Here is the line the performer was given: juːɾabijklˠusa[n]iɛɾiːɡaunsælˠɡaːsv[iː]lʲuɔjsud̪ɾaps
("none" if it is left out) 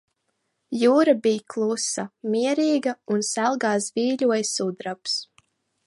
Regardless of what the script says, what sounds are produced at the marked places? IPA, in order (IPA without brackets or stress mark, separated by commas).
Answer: m, iː